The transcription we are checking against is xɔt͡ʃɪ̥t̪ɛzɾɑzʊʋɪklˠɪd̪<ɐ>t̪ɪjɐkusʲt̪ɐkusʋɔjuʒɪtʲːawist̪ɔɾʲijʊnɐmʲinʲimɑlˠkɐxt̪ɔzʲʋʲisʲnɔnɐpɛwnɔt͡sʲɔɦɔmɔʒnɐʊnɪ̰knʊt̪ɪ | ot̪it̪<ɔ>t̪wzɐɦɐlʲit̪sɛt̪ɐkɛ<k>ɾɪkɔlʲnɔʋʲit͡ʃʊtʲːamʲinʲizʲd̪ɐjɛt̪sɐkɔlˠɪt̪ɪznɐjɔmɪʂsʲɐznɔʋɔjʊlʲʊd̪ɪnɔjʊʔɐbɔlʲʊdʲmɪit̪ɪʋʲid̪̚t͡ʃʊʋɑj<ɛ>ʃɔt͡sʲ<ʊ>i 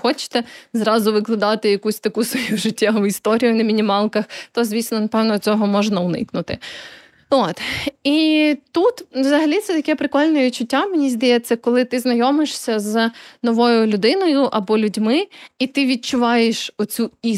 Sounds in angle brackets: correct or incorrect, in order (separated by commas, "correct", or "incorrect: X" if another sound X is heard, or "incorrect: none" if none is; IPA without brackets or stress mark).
incorrect: ɑ, incorrect: u, incorrect: p, incorrect: e, incorrect: u